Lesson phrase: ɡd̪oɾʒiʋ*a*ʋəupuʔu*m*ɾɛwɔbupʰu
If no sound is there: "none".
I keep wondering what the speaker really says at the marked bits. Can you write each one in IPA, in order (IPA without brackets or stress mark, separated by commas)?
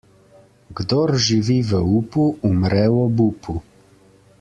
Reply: i, m